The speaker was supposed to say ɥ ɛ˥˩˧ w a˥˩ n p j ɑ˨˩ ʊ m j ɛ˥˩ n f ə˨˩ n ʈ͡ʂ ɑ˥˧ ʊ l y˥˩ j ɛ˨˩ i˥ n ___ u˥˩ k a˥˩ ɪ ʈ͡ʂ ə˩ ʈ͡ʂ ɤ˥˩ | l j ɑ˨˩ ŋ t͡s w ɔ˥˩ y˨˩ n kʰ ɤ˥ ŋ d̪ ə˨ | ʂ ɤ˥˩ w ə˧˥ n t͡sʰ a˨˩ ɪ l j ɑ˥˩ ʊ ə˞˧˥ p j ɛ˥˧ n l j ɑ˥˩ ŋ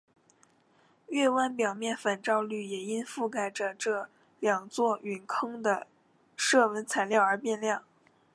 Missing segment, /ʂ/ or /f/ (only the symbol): f